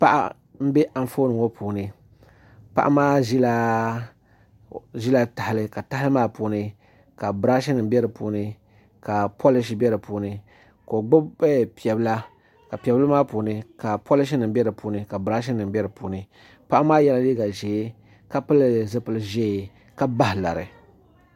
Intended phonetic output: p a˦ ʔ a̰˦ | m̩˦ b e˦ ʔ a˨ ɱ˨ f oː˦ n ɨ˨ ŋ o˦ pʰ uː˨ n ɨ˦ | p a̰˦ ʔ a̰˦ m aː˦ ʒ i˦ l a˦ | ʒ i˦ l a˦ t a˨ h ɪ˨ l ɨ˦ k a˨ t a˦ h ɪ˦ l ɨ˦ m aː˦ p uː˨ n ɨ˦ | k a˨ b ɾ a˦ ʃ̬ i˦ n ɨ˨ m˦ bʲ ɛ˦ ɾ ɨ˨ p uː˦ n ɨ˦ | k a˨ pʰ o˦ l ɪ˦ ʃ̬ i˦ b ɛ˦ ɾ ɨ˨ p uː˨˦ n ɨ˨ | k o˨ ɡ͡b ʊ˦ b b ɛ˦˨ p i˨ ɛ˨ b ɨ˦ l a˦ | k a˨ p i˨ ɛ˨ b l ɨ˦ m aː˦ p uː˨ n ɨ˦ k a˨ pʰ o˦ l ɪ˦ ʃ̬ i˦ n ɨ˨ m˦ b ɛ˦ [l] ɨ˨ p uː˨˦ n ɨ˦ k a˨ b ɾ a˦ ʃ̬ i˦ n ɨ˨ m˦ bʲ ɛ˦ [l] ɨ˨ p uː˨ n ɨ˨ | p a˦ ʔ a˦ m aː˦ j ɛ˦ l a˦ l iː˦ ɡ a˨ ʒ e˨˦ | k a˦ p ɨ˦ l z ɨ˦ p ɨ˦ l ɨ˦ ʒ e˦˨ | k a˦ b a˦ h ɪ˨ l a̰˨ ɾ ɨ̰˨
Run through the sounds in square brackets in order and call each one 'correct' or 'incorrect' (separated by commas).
incorrect, incorrect